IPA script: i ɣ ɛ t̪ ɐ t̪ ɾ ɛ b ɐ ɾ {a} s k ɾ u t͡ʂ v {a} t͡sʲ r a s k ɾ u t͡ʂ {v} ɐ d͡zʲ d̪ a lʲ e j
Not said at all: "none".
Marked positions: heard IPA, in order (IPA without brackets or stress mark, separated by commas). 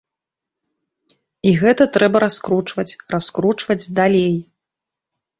a, ɐ, v